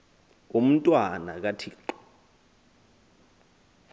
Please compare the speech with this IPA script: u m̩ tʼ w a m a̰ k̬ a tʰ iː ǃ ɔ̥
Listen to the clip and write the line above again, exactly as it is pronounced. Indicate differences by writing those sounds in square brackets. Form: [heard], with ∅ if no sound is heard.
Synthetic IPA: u m̩ tʼ w a [n] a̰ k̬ a tʰ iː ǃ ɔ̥